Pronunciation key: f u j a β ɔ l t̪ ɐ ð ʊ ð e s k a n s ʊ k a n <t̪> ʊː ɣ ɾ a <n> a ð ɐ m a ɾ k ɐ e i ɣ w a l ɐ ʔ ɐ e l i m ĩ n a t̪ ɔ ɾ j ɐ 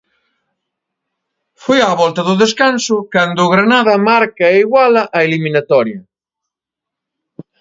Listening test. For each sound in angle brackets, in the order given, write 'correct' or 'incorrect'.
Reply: incorrect: d̪, correct

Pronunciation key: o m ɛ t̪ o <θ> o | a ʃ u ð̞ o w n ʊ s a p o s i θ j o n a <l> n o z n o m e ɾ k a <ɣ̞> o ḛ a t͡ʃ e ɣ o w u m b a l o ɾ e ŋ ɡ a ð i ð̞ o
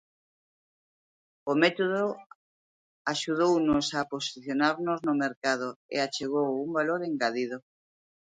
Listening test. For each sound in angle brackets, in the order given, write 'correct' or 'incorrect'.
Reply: incorrect: ð, incorrect: ɾ, incorrect: ð̞

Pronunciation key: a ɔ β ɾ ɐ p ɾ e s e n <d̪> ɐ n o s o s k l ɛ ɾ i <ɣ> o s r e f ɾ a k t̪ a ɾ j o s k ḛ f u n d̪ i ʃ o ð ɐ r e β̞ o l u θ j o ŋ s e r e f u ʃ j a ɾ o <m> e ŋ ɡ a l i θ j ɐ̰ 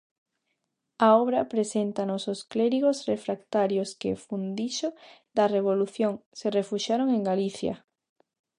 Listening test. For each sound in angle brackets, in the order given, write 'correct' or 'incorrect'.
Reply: incorrect: t̪, correct, incorrect: ŋ

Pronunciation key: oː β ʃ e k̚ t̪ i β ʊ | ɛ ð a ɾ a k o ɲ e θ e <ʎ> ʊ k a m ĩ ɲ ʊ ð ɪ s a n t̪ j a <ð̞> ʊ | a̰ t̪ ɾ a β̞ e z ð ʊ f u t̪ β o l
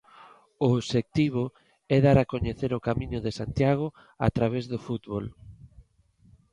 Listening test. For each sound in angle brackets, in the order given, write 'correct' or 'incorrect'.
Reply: incorrect: ɾ, incorrect: ɣ̞

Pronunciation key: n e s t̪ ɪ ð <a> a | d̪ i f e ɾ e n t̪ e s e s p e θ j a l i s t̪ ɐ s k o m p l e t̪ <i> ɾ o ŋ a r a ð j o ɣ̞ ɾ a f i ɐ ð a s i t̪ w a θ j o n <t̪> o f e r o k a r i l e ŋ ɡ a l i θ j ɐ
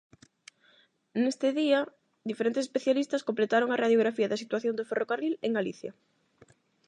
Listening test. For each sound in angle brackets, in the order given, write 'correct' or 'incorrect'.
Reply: incorrect: i, incorrect: a, incorrect: d̪

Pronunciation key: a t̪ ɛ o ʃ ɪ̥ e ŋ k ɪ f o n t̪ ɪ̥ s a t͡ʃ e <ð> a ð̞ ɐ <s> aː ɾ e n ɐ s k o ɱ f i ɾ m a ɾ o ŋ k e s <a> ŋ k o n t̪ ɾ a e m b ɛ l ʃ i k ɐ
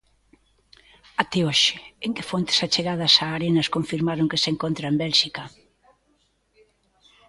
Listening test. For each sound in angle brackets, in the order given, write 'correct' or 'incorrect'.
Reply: incorrect: ɣ, correct, incorrect: e

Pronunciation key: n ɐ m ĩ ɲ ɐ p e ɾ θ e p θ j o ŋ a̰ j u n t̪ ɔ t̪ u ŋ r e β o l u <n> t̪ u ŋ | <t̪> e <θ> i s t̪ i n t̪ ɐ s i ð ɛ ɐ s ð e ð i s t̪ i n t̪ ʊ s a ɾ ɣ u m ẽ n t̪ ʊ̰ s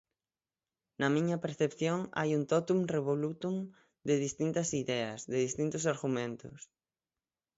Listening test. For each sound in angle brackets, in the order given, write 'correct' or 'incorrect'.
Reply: incorrect: none, incorrect: d̪, incorrect: ð

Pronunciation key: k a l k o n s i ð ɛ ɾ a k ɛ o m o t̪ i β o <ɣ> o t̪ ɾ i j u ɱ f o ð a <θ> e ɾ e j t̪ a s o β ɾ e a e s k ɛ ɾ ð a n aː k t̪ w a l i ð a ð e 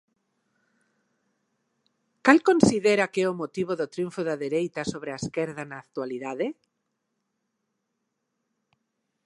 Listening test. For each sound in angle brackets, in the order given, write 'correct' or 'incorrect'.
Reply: incorrect: ð, incorrect: ð

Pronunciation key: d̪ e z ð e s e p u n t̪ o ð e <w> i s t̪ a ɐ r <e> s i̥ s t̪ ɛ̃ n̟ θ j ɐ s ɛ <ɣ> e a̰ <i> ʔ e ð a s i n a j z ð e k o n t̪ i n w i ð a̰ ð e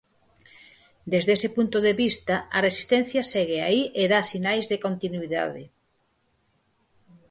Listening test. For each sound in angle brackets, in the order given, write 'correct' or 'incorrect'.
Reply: incorrect: β, correct, correct, correct

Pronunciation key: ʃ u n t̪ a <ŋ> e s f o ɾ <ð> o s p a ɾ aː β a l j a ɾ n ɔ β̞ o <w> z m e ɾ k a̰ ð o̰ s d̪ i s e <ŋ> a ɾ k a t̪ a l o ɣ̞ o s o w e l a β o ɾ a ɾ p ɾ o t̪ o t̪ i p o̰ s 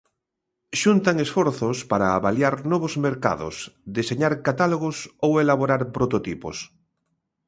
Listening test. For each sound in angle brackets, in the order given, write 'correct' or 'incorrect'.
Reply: correct, incorrect: θ, incorrect: none, incorrect: ɲ

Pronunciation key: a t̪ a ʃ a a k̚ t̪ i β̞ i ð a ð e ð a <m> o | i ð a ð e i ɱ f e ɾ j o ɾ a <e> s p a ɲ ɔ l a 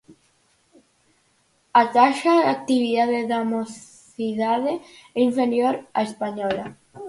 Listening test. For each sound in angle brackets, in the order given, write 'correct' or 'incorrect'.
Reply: correct, correct

